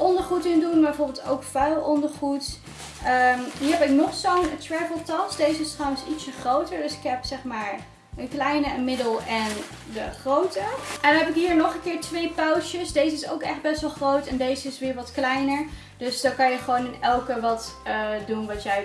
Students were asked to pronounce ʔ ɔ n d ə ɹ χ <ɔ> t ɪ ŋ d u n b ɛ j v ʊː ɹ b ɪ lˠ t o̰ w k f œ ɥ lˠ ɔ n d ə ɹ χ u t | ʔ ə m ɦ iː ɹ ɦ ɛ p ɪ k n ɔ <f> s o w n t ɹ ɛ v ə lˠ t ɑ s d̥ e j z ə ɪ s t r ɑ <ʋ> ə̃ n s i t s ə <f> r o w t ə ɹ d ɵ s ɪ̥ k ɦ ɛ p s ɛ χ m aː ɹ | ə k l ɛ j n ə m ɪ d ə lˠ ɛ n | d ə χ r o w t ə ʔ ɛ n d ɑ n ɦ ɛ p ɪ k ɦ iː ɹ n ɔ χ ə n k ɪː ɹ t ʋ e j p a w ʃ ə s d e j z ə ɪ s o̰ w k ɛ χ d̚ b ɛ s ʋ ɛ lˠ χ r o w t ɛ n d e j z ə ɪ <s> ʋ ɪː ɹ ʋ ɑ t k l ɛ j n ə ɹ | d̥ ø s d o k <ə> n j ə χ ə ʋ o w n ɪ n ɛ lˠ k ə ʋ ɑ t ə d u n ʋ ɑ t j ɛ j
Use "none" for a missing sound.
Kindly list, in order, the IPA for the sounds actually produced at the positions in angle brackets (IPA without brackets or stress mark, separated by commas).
u, χ, w, χ, s, ɑ